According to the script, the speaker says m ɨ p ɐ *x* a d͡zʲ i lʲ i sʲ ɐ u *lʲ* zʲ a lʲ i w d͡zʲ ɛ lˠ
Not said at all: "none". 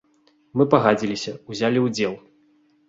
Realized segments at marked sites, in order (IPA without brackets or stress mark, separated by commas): ɣ, none